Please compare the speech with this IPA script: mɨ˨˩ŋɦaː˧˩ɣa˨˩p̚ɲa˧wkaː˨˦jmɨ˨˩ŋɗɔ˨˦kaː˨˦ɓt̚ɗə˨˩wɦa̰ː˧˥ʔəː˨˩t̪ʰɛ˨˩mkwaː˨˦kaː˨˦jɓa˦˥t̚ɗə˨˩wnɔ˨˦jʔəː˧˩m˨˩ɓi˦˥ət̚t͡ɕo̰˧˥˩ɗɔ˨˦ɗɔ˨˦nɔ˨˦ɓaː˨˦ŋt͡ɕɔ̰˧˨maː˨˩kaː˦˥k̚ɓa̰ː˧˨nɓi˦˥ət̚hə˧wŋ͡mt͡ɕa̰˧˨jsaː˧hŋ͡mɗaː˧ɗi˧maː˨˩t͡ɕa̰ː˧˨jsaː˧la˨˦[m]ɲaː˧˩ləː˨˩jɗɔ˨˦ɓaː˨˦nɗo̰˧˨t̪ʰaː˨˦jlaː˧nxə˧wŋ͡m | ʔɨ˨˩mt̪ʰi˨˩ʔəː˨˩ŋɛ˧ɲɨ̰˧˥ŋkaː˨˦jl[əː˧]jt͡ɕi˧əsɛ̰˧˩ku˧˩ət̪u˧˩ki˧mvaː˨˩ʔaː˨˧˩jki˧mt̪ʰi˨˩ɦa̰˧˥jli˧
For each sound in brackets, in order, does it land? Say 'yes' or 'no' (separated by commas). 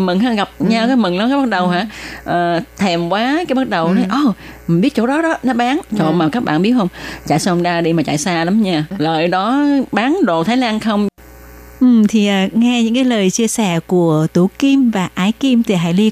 yes, no